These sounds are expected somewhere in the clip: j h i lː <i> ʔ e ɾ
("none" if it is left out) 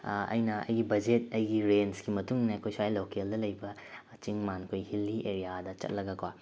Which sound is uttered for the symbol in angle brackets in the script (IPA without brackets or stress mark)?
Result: i